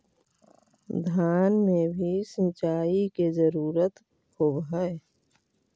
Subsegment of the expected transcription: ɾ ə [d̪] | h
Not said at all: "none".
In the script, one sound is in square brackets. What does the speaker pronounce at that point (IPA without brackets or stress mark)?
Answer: t̪